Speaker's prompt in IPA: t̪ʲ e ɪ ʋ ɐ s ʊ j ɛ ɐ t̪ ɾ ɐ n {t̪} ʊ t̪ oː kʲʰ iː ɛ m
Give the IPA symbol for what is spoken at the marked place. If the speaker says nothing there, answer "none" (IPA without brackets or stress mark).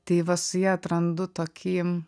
d̪